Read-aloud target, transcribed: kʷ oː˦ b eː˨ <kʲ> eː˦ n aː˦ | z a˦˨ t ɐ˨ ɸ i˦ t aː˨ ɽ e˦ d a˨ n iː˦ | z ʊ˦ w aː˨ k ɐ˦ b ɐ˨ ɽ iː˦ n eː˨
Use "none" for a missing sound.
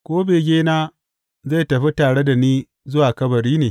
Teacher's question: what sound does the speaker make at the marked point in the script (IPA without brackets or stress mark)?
ɡʲ